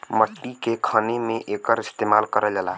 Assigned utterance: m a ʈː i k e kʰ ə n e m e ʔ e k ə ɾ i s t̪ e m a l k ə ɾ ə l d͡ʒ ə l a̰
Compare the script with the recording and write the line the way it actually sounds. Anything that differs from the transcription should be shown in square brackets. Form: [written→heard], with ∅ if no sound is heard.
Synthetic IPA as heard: m [a→ə] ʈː i k e kʰ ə n e m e ʔ e k ə ɾ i s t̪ e m a l k ə ɾ ə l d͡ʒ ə l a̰